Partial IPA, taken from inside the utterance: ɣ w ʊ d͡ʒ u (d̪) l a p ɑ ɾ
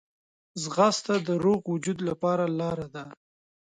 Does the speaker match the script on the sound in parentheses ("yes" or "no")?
yes